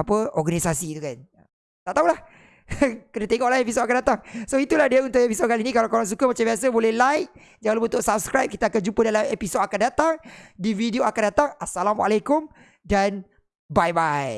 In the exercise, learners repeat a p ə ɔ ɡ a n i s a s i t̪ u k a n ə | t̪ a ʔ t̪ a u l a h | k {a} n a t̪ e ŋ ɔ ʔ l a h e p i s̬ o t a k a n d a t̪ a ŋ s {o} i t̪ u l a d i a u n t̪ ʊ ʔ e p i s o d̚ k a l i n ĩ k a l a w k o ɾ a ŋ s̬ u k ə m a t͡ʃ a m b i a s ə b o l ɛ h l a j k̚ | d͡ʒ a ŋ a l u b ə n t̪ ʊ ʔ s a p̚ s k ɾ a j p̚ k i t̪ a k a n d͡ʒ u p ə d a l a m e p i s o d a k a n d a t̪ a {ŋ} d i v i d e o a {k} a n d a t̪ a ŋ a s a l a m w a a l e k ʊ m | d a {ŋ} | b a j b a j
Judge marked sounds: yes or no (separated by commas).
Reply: no, yes, yes, yes, no